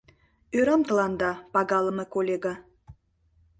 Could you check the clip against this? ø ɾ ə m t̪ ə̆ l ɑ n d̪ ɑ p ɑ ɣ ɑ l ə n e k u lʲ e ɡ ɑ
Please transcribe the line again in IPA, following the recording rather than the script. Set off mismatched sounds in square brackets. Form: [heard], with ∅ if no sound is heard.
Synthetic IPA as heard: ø ɾ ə m t̪ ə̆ l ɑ n d̪ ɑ p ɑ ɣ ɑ l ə [m] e k [o] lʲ e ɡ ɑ